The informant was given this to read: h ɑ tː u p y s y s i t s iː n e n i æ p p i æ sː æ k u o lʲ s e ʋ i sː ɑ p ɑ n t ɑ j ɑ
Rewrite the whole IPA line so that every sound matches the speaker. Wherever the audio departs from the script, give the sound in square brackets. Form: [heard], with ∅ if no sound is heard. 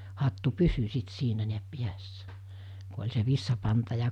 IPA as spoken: h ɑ tː u p y s y s i t s iː n [æ] n i æ p p i æ sː æ k u o lʲ s e ʋ i sː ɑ p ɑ n t ɑ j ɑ